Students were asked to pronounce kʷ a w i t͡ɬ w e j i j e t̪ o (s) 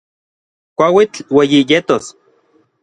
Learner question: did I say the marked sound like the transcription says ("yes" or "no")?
yes